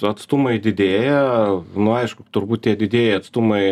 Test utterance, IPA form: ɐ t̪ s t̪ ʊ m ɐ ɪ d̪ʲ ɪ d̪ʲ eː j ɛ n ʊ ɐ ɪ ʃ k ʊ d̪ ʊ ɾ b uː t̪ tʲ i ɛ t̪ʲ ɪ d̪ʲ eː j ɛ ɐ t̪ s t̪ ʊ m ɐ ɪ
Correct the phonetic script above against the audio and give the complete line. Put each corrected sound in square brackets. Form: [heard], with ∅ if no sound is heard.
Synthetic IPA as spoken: ɐ t̪ s t̪ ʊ m ɐ ɪ d̪ʲ ɪ d̪ʲ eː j ɛ n ʊ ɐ ɪ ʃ k ʊ [t̪] ʊ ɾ b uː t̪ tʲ i ɛ [d̪ʲ] ɪ d̪ʲ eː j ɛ ɐ t̪ s t̪ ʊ m ɐ ɪ

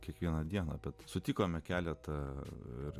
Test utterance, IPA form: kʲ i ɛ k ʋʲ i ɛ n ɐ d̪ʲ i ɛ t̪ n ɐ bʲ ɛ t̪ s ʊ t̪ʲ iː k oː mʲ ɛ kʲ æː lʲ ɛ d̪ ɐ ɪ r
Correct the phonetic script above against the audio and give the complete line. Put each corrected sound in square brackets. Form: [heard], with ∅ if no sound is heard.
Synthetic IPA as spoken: kʲ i ɛ k ʋʲ i ɛ n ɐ d̪ʲ i ɛ [∅] n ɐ bʲ ɛ t̪ s ʊ t̪ʲ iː k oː mʲ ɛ kʲ æː lʲ ɛ [t̪] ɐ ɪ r

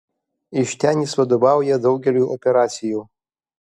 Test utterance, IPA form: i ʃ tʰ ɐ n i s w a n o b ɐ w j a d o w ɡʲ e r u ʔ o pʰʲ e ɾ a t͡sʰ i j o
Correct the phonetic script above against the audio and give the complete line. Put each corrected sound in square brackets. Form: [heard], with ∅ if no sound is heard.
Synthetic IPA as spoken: i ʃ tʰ [a] n i s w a [d] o b [a] w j a d o w ɡʲ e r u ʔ o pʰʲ e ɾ a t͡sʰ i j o

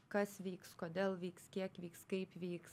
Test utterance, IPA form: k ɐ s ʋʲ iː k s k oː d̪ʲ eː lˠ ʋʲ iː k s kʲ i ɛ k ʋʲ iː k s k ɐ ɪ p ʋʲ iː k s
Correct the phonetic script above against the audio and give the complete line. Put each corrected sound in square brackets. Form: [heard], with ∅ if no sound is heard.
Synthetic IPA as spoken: k ɐ s ʋʲ iː k s k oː d̪ʲ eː lˠ ʋʲ iː k s kʲ i ɛ k ʋʲ iː k s k ɐ ɪ p ʋʲ iː k s

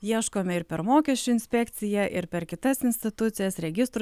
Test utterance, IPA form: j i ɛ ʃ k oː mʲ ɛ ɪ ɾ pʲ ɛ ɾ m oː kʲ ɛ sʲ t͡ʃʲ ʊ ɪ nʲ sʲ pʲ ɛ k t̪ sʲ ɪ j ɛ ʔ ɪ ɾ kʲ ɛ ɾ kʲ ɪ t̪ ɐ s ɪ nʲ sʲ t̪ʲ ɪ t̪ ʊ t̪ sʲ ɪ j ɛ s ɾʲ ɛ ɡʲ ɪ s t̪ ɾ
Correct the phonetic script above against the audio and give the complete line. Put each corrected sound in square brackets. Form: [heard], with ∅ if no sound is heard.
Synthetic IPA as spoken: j i ɛ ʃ k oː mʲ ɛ ɪ ɾ pʲ ɛ ɾ m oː kʲ ɛ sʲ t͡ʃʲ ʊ ɪ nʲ sʲ pʲ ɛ k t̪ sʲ ɪ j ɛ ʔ ɪ ɾ [pʲ] ɛ ɾ kʲ ɪ t̪ ɐ s ɪ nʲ sʲ t̪ʲ ɪ t̪ ʊ t̪ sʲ ɪ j ɛ s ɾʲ ɛ ɡʲ ɪ s t̪ ɾ

